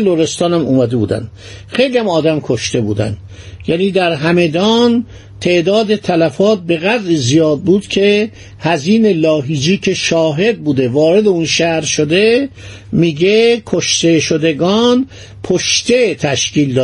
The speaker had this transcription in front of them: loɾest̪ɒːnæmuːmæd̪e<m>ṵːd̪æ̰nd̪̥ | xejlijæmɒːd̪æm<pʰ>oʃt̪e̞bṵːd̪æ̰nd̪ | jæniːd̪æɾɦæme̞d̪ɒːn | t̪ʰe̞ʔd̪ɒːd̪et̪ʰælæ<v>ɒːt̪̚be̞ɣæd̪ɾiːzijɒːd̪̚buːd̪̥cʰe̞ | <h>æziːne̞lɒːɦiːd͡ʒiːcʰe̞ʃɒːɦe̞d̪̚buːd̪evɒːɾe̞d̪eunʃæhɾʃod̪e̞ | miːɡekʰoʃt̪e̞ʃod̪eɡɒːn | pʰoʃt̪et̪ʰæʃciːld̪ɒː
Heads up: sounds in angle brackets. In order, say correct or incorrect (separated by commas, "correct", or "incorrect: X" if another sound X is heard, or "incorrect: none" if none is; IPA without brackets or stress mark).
incorrect: b, incorrect: kʰ, incorrect: f, correct